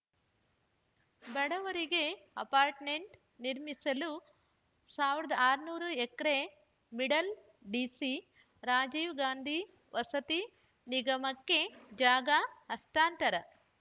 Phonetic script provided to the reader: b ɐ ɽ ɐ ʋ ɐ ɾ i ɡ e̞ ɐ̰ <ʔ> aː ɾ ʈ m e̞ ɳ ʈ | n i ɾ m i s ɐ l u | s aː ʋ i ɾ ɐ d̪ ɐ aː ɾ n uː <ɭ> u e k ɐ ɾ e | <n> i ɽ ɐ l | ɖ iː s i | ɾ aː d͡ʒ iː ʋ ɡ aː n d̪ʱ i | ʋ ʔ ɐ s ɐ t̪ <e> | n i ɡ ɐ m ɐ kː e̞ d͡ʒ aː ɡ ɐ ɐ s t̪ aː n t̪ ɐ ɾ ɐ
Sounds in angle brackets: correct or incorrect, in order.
incorrect, incorrect, incorrect, incorrect

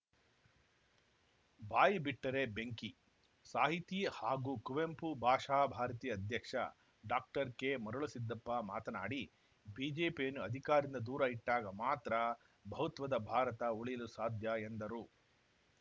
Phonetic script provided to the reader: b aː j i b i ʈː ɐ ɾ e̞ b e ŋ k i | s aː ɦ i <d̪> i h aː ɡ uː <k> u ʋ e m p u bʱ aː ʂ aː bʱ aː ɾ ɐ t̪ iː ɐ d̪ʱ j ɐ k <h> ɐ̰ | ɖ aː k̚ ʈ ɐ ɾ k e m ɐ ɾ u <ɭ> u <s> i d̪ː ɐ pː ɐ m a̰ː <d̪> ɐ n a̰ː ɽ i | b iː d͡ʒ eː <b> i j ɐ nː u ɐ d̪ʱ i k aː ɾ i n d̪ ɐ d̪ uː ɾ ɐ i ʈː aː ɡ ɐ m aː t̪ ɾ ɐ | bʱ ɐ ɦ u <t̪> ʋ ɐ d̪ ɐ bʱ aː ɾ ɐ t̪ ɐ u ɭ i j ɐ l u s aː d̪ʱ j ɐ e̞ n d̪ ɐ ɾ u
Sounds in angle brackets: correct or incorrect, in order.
incorrect, correct, incorrect, correct, correct, incorrect, incorrect, correct

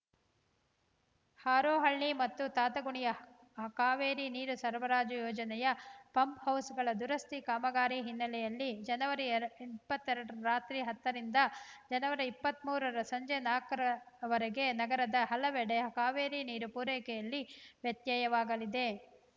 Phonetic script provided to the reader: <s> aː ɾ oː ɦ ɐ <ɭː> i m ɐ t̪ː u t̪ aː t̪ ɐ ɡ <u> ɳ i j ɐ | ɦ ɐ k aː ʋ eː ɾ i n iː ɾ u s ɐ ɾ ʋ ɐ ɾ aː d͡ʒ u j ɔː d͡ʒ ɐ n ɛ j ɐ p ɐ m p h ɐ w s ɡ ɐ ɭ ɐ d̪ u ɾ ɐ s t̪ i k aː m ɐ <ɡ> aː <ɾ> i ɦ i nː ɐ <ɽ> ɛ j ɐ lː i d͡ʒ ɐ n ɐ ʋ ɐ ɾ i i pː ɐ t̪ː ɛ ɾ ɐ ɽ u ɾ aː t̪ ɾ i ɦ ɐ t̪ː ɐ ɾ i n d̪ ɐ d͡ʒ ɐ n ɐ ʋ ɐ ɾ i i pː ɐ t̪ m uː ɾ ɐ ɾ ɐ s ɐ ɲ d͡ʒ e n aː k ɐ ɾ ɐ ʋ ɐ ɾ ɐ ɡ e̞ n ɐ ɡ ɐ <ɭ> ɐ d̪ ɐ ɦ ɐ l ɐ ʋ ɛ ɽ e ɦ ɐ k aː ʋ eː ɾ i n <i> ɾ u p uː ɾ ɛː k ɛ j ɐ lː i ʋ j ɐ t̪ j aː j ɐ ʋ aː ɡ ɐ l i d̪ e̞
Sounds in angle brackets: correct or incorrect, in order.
incorrect, correct, correct, correct, correct, incorrect, incorrect, incorrect

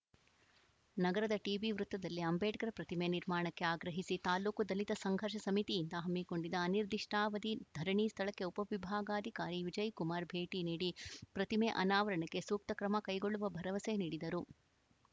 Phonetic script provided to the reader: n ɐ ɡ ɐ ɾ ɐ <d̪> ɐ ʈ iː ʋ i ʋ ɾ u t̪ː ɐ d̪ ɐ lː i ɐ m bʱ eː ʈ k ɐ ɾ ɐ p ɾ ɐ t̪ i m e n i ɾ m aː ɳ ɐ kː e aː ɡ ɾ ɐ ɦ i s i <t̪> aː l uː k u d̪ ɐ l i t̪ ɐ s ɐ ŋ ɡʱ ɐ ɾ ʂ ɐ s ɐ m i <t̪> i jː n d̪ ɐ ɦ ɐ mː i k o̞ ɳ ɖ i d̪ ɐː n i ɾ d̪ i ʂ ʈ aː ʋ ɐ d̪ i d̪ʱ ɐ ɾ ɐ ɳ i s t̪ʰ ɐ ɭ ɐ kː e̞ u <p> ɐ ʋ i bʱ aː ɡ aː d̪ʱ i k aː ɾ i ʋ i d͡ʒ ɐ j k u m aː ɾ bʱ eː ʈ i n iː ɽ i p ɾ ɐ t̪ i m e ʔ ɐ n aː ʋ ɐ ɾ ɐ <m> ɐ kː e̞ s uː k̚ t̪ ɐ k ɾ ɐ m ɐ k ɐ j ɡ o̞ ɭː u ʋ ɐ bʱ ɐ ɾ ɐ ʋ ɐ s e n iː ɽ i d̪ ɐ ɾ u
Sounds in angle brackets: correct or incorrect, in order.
correct, correct, correct, correct, incorrect

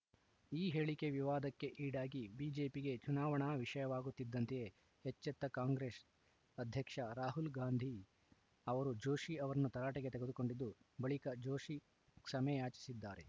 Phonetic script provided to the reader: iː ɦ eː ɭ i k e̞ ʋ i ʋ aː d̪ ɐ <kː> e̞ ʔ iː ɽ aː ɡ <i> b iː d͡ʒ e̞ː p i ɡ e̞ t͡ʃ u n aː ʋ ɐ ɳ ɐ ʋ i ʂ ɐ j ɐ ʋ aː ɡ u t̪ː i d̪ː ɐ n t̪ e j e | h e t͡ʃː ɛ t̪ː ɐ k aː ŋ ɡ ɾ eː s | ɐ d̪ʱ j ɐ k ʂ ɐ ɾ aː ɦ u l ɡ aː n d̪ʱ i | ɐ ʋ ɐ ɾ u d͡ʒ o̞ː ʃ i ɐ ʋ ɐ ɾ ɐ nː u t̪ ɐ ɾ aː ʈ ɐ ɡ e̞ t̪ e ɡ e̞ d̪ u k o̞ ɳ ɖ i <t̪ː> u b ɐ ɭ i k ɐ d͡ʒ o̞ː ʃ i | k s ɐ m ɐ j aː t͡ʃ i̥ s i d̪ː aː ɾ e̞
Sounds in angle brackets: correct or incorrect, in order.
correct, correct, incorrect

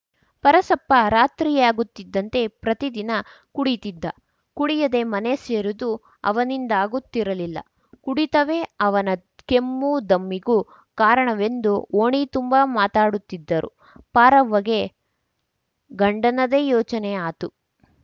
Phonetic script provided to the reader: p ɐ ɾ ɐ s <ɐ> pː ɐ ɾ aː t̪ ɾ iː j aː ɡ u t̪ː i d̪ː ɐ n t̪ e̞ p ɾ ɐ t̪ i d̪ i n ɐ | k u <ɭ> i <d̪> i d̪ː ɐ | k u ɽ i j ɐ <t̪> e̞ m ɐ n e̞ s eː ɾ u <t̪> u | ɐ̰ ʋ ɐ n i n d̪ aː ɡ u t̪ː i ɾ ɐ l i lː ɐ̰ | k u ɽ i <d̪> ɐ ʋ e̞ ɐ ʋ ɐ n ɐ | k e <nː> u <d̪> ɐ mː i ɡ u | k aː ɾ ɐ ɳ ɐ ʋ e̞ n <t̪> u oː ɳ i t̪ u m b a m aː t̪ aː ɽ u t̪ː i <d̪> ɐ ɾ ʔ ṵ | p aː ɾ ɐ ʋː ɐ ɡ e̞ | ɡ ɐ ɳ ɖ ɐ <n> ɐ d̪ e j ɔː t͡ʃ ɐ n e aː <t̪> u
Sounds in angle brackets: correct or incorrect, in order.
correct, incorrect, incorrect, incorrect, incorrect, incorrect, incorrect, correct, incorrect, incorrect, correct, correct

